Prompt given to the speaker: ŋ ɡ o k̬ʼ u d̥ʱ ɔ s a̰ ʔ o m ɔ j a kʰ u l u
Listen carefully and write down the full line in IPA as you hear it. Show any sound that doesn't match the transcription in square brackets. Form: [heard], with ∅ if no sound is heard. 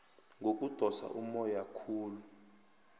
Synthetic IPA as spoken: ŋ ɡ o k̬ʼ u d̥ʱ ɔ s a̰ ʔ [u] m ɔ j a kʰ [uː] l u